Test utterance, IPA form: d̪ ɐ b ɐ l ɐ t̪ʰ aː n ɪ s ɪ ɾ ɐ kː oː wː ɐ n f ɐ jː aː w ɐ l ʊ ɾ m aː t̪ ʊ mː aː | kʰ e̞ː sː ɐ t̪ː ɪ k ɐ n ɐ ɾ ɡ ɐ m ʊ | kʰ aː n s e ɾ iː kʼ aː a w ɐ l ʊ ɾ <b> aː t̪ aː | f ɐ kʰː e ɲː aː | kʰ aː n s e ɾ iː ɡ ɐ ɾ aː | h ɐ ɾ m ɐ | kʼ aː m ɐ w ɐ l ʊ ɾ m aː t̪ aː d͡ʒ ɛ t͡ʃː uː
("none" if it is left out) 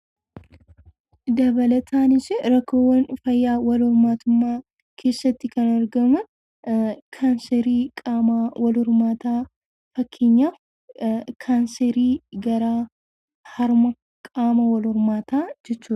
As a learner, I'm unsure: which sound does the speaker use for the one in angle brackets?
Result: m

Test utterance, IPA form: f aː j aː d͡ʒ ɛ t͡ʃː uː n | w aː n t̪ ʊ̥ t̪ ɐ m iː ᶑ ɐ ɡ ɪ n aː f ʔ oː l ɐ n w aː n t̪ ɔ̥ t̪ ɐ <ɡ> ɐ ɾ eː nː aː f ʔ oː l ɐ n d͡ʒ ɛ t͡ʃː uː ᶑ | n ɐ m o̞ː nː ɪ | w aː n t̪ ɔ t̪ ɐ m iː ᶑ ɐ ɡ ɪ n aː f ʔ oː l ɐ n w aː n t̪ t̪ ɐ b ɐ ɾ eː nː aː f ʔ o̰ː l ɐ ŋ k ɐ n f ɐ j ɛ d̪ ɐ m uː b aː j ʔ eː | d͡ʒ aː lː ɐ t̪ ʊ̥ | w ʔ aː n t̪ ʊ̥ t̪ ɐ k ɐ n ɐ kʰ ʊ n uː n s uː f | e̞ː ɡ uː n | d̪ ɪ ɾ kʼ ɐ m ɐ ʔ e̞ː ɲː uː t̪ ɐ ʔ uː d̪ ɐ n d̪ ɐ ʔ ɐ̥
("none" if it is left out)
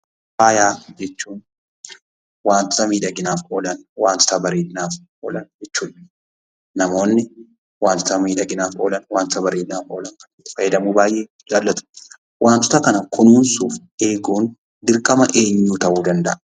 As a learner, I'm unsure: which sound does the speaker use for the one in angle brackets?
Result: b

